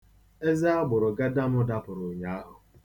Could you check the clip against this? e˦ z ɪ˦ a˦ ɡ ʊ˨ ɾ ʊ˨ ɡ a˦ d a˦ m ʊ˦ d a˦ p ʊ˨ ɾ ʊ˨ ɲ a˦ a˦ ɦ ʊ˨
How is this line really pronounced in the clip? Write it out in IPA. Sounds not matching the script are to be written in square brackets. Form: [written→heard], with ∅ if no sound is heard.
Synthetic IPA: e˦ z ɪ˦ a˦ [ɡ→ɡ͡b] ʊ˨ ɾ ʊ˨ ɡ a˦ d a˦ m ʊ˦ d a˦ p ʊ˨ ɾ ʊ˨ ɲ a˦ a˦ ɦ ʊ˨